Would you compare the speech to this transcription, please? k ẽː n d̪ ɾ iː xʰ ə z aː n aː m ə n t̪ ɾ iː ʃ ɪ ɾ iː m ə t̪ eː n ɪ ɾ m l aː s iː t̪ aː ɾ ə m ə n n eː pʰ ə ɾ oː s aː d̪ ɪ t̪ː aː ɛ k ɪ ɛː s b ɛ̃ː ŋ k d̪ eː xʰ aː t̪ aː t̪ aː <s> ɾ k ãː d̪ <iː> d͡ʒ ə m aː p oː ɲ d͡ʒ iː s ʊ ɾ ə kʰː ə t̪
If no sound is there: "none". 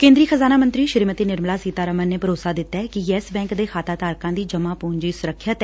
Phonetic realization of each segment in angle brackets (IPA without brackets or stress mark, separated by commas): none, iː